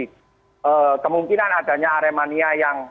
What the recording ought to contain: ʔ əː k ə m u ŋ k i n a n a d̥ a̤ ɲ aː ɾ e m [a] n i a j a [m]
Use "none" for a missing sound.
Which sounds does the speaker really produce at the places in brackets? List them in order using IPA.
a, ŋ

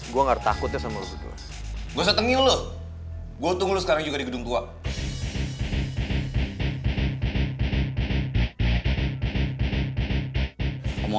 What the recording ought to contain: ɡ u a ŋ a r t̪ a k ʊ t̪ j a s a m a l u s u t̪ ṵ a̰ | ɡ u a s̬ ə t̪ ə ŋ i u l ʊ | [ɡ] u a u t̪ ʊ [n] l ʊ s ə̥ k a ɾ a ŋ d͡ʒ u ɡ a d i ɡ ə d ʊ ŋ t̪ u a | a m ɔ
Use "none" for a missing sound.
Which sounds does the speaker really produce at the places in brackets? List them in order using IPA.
ɡ, ŋ

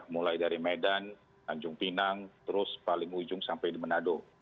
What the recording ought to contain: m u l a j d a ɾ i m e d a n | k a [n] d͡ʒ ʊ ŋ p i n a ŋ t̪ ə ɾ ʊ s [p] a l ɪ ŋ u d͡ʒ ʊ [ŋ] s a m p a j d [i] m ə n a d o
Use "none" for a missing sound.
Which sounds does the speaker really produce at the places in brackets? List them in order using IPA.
ɲ, p, ŋ, i

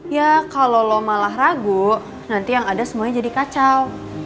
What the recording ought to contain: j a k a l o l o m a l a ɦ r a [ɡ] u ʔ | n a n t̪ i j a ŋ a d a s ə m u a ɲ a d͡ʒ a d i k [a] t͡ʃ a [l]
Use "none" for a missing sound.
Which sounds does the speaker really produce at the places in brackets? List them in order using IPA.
ɡ, a, l

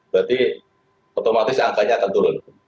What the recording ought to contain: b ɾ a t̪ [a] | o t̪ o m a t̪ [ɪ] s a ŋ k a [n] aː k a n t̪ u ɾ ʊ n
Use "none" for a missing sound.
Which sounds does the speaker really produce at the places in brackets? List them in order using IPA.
i, ɪ, ɲ

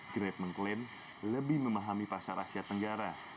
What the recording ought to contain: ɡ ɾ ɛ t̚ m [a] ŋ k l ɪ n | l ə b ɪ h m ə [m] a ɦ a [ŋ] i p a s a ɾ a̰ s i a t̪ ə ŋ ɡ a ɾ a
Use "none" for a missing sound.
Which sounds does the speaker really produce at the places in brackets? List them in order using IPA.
ə, m, m

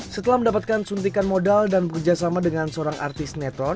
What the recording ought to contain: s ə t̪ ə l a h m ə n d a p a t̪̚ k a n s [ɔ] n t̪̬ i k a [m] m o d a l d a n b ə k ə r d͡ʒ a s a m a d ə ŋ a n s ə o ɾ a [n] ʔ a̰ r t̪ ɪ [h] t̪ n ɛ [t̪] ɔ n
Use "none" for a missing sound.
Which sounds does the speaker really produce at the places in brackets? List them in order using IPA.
u, n, ŋ, s, t̪

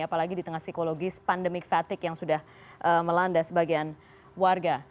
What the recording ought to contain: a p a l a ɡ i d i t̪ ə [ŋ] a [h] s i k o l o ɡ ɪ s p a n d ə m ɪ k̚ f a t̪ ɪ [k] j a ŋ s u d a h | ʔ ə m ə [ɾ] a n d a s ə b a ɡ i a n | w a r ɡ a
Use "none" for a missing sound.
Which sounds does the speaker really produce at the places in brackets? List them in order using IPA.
ŋ, h, k, l

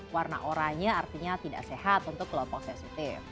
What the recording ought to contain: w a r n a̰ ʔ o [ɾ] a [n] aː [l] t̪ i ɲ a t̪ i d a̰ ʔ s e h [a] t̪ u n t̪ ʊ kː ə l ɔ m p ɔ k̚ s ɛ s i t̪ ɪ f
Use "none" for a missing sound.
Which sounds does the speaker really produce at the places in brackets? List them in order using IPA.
ɾ, ɲ, r, a

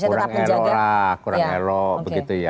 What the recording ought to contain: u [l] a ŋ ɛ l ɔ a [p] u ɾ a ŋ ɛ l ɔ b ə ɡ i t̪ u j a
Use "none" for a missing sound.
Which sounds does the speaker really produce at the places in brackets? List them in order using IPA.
ɾ, k

